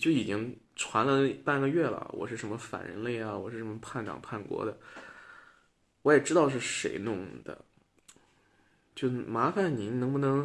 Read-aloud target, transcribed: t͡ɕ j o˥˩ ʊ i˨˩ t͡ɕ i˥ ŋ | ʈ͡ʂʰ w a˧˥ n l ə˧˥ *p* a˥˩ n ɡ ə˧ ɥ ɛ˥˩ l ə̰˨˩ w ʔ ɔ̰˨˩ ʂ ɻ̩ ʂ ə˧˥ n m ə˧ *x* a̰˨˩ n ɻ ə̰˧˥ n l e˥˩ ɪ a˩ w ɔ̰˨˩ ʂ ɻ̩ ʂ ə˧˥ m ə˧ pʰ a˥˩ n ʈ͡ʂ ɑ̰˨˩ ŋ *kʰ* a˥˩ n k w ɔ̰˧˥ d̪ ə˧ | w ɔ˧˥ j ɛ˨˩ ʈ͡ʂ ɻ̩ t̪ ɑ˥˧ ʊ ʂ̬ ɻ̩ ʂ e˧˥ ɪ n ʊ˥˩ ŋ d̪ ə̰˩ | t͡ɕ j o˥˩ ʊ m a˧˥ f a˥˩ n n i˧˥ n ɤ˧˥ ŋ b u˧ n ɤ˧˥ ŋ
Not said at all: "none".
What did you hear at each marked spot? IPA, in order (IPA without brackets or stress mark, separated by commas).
p, f, pʰ